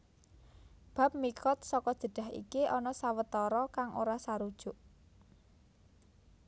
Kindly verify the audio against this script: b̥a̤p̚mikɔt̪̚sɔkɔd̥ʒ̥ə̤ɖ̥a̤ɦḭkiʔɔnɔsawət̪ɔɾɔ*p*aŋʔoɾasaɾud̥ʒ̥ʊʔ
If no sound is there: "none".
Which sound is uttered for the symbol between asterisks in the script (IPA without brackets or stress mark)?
k